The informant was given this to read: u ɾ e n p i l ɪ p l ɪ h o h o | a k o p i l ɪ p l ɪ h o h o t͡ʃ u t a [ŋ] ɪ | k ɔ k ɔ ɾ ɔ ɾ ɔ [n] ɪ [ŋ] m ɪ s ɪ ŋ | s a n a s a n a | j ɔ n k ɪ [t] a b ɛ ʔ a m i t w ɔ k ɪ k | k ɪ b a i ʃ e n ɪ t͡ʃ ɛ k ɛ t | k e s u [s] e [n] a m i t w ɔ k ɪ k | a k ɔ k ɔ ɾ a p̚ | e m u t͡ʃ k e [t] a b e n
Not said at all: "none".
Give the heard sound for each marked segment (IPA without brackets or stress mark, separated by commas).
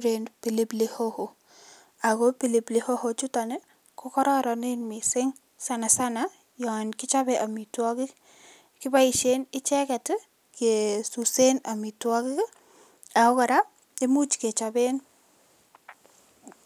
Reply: n, n, n, t͡ʃ, s, n, t͡ʃ